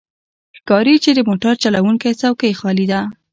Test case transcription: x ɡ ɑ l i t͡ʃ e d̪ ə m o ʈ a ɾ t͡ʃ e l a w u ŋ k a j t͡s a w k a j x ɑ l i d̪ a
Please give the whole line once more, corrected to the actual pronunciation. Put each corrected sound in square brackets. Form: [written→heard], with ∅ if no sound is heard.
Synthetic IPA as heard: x [ɡ→k] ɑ [l→ɾ] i t͡ʃ e d̪ ə m o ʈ a ɾ t͡ʃ [e→a] l a w u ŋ k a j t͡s a w k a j x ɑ l i d̪ a